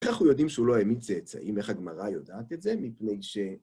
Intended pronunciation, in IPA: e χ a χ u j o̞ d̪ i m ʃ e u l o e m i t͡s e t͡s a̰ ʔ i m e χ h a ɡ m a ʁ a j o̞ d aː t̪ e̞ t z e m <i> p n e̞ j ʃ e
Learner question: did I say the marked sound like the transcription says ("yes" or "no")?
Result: yes